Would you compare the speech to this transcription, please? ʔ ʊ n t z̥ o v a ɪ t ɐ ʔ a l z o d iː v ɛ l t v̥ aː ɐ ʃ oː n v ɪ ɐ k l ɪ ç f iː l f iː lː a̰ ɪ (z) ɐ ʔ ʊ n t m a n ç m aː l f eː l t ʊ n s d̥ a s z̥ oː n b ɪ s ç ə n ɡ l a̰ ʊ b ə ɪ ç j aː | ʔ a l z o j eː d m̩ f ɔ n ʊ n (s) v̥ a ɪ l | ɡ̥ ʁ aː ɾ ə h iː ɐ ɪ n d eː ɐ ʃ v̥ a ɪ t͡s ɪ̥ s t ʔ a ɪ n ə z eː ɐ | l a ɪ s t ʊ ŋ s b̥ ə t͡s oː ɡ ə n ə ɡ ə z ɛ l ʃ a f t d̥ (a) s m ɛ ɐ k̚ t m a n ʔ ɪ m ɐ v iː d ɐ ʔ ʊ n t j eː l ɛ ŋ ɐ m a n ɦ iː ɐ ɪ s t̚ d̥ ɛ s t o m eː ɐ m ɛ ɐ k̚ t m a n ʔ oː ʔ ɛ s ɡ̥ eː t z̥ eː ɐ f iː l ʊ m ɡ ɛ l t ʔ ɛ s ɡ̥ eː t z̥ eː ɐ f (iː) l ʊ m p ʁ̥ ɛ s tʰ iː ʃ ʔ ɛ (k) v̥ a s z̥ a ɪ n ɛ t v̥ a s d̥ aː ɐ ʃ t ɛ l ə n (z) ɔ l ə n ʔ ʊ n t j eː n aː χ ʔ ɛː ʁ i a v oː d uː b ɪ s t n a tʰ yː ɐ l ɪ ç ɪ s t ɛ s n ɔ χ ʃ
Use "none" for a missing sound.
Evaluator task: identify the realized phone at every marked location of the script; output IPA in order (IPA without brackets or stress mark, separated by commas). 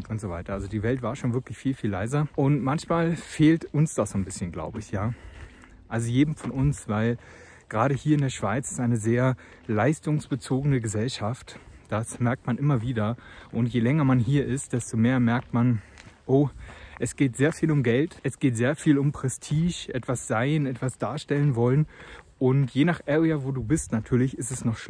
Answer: z, s, a, iː, t, v